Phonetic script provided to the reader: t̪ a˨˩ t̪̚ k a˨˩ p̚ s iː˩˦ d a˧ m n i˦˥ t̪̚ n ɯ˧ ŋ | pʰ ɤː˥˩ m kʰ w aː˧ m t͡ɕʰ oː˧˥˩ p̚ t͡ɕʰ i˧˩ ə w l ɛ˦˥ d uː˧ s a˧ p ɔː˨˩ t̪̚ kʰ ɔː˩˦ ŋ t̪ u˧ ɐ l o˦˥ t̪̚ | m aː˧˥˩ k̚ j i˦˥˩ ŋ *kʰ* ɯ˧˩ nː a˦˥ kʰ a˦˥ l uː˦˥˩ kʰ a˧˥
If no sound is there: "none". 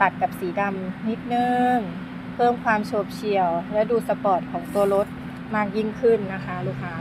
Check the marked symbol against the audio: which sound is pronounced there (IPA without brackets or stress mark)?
kʰ